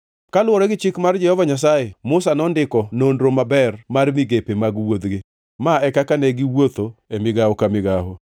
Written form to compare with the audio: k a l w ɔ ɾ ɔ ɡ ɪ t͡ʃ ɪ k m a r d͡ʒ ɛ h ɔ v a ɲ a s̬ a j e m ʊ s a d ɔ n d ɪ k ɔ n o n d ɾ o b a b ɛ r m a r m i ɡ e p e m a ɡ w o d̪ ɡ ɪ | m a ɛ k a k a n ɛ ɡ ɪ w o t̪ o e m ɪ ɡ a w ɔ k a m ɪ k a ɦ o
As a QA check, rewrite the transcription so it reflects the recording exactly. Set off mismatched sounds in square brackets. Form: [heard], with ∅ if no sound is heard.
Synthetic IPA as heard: k a l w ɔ ɾ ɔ ɡ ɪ t͡ʃ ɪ k m a r d͡ʒ ɛ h ɔ v a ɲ a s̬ a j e m ʊ s a [n] ɔ n d ɪ k ɔ n o n d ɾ o [m] a b ɛ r m a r m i ɡ e p e m a ɡ w o d̪ ɡ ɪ | m a ɛ k a k a n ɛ ɡ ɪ w o t̪ o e m ɪ ɡ a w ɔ k a m ɪ [ɡ] a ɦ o